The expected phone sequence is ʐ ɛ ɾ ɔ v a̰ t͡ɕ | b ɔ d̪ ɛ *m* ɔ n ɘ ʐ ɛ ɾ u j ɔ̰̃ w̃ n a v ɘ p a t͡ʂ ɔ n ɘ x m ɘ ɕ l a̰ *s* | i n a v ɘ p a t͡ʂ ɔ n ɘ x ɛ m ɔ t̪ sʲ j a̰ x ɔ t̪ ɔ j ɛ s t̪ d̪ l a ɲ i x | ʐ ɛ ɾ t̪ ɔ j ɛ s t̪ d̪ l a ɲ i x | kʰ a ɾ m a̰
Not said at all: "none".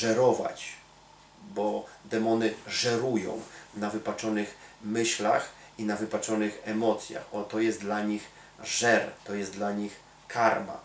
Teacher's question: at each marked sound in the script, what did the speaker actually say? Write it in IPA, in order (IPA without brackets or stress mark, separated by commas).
m, x